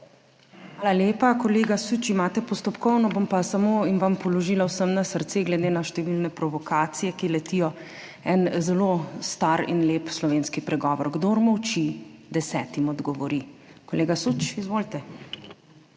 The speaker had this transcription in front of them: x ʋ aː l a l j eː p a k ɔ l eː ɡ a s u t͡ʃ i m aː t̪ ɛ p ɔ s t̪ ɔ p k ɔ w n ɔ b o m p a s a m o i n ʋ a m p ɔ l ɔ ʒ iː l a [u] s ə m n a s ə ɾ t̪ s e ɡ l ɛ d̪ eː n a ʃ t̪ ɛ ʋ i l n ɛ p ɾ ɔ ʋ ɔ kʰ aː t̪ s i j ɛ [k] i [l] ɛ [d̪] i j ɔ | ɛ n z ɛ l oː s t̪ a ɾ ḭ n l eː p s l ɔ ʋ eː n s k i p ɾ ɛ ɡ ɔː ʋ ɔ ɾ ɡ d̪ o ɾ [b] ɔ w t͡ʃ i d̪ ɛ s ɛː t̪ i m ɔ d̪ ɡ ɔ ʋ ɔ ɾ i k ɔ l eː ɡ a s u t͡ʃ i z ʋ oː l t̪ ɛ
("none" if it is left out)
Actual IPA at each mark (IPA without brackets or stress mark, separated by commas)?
w, k, l, t̪, m